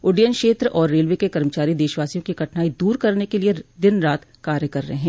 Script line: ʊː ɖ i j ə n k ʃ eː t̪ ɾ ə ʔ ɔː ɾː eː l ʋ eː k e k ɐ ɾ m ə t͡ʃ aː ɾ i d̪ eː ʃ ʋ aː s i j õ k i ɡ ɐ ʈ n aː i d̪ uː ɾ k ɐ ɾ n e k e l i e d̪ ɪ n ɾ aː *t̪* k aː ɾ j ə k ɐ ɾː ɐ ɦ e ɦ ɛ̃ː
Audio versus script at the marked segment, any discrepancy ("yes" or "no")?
no